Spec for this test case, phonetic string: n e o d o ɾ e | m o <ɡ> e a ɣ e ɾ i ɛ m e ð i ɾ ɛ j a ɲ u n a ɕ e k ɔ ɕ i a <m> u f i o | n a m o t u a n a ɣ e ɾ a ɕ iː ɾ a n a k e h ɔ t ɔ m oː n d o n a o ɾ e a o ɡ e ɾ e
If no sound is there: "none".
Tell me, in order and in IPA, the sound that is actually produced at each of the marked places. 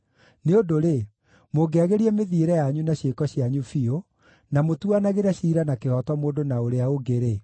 ɡ, ɲ

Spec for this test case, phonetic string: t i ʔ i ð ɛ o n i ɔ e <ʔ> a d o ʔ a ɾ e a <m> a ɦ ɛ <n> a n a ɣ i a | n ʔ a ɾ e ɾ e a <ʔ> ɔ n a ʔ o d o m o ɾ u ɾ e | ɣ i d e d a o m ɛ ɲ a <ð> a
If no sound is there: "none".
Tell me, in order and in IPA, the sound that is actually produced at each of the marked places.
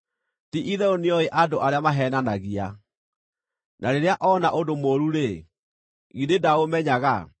ʔ, m, n, ʔ, ɣ

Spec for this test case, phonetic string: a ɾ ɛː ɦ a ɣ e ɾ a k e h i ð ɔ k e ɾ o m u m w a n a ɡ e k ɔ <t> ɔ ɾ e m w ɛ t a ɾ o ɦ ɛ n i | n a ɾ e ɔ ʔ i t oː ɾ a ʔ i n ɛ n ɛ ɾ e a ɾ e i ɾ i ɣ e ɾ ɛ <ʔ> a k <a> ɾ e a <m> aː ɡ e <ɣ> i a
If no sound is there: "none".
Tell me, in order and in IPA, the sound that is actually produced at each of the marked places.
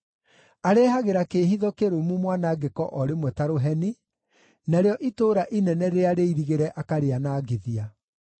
ʔ, ʔ, a, n, ð

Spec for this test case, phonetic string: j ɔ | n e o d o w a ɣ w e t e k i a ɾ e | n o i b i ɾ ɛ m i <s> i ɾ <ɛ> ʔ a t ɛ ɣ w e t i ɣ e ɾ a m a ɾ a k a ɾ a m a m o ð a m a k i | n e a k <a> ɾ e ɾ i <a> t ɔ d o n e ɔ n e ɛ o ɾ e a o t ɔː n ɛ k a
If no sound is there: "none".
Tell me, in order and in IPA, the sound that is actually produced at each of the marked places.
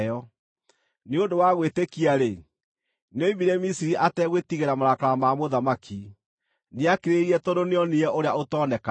s, i, e, ɛ

